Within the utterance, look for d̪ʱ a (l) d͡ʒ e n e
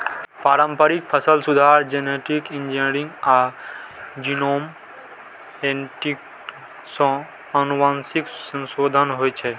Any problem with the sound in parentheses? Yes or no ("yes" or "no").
yes